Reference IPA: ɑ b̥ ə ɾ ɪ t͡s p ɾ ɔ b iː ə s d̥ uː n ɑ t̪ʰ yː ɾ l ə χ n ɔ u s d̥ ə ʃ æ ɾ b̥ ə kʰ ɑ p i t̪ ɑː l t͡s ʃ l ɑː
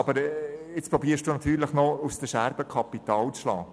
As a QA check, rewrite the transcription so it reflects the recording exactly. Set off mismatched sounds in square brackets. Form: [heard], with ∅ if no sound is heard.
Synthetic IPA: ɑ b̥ ə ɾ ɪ t͡s p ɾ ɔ b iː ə [ʃ] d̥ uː n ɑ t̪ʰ yː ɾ l ə χ n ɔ u s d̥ ə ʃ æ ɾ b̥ ə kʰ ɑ p i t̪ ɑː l t͡s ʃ l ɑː